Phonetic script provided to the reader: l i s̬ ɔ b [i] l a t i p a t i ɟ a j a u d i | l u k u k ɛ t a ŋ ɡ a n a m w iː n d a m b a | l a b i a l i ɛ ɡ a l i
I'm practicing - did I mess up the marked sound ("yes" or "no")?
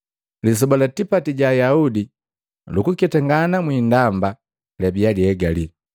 yes